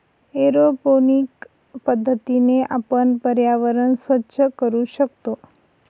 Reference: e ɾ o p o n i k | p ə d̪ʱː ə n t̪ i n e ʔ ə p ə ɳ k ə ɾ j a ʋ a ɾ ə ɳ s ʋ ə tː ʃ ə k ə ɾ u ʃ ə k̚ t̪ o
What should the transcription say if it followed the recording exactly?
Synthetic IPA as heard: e ɾ o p o n i k | p ə d̪ʱː ə t̪ i n e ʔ a p ə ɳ p ə ɾ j a ʋ ə ɾ ə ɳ s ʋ ə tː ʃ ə k ə ɾ u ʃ ə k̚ t̪ o

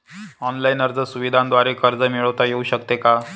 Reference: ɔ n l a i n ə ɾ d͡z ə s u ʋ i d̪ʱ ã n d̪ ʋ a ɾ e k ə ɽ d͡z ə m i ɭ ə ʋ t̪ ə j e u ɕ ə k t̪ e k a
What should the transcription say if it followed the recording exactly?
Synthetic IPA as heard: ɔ n l a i n ə ɾ d͡z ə s u ʋ i d̪ʱ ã n d̪ ʋ a ɾ e k ə ɾ d͡z ə m i ɭ ə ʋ t̪ a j e u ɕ ə k t̪ e k a

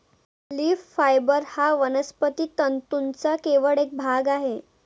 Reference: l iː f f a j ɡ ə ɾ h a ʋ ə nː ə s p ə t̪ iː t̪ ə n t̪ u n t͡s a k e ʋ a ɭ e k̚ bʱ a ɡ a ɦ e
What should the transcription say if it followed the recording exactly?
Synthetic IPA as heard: l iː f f a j b ə ɾ h a ʋ ə n ə s p ə t̪ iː t̪ ə n t̪ u n t͡s a k e ʋ ə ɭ e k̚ bʱ a ɡ a ɦ e

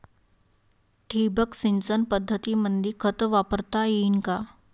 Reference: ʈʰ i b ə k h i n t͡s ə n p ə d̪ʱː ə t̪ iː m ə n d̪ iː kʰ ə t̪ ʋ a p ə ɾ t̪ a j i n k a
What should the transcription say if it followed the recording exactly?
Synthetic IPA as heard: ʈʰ i b ə k s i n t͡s ə n p ə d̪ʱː ə t̪ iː m ə n d̪ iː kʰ ə t̪ ʋ a p ə ɾ t̪ a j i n k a

